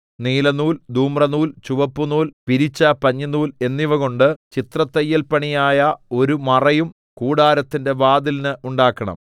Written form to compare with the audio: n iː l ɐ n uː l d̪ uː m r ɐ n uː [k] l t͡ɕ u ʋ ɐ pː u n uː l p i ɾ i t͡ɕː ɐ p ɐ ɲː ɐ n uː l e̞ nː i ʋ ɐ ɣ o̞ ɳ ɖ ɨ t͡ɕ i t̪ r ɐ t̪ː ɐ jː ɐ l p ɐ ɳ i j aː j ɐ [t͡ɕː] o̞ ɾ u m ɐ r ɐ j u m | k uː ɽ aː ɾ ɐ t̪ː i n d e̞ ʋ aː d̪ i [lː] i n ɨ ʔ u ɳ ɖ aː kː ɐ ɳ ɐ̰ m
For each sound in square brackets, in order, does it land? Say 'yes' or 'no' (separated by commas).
no, no, no